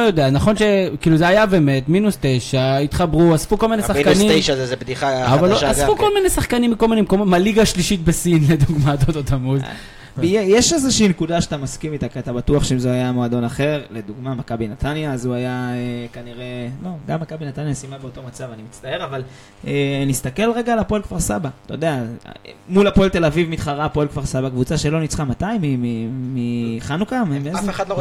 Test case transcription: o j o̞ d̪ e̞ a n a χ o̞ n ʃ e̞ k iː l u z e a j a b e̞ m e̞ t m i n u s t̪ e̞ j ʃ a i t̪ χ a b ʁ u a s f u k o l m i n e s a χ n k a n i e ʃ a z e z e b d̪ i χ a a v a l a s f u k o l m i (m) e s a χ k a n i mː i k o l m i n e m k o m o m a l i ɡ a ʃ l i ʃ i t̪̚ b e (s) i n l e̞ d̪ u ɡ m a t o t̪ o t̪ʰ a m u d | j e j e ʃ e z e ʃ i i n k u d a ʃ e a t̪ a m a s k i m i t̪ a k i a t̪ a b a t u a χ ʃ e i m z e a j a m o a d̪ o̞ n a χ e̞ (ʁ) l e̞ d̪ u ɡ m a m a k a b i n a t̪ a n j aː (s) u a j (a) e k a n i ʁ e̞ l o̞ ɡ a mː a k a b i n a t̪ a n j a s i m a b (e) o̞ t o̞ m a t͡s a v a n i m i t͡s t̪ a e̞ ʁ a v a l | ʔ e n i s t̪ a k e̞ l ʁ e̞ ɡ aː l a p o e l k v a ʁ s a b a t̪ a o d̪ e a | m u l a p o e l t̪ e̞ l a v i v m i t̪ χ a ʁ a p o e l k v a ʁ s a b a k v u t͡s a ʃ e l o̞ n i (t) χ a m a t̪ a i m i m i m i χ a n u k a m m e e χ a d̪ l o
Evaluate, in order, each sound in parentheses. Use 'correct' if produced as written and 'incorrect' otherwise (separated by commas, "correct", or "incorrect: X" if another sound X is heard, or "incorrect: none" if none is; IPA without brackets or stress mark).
incorrect: n, correct, correct, incorrect: z, correct, correct, incorrect: t͡s